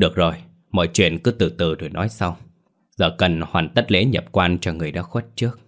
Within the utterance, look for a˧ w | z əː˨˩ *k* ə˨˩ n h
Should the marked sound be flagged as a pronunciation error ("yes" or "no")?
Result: no